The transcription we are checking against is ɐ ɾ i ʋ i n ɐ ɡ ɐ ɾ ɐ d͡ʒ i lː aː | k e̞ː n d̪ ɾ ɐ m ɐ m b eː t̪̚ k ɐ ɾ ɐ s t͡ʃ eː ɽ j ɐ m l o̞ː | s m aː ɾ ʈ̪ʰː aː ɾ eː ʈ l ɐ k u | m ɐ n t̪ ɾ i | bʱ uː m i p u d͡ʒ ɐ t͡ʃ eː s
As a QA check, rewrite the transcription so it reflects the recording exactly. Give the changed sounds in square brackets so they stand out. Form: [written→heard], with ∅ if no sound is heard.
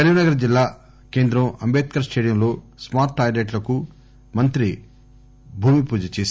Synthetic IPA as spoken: ɐ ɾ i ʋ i n ɐ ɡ ɐ ɾ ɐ d͡ʒ i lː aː | k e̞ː n d̪ ɾ ɐ m ɐ m b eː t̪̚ k ɐ ɾ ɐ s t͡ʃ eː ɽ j ɐ m l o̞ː | s m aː ɾ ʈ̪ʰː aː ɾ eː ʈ l ɐ k u | m ɐ n t̪ ɾ i | bʱ uː m i p [u→uː] d͡ʒ ɐ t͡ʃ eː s